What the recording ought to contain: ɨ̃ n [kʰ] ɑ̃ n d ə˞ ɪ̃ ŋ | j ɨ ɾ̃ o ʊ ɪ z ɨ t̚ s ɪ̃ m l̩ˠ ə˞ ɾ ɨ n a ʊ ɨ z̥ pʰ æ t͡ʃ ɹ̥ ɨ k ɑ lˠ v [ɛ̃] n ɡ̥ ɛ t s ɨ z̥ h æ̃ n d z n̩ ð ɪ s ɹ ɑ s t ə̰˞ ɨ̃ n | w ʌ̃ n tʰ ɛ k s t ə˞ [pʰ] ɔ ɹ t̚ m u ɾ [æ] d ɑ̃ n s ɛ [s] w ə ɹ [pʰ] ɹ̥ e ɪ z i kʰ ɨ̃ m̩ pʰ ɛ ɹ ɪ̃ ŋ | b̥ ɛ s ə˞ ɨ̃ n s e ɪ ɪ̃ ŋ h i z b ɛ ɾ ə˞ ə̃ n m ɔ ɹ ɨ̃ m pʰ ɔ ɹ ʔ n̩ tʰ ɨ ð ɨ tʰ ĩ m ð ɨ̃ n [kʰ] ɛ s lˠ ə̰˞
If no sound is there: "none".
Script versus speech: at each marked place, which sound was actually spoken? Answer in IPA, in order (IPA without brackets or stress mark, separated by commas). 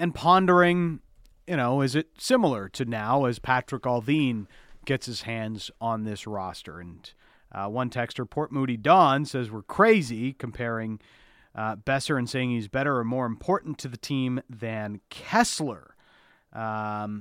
pʰ, ĩ, pʰ, i, z, kʰ, kʰ